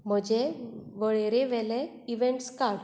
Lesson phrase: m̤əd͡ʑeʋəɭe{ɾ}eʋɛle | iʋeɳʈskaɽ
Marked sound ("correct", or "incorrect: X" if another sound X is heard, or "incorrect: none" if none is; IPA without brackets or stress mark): correct